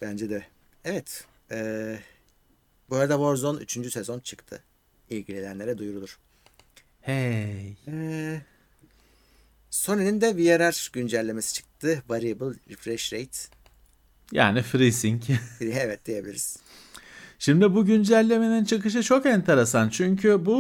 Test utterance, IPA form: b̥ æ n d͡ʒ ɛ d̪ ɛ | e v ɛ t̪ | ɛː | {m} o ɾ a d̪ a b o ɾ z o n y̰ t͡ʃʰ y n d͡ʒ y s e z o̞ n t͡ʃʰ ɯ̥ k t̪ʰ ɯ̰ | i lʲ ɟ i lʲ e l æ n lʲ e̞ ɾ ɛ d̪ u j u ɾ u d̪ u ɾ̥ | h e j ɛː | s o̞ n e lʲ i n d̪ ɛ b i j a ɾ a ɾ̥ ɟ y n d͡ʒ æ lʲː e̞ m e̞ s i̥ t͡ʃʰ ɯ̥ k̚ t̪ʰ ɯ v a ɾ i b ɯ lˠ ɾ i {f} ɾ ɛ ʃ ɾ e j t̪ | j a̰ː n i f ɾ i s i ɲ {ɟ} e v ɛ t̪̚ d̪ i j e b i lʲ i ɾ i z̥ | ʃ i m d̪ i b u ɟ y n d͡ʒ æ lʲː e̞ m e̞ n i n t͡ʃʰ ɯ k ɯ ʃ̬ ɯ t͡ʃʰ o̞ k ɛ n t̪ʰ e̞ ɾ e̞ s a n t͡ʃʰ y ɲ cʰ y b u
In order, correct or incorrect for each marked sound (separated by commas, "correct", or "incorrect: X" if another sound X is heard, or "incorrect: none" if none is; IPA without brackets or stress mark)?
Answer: incorrect: b, correct, incorrect: c